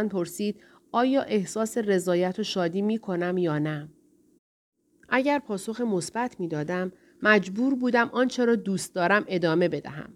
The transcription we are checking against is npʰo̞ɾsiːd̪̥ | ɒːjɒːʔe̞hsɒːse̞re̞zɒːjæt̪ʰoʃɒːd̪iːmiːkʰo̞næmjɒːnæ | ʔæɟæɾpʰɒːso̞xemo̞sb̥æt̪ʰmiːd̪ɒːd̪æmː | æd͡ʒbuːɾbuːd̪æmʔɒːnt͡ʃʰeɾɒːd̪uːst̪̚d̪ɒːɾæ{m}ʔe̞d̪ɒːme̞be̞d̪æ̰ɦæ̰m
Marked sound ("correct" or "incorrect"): correct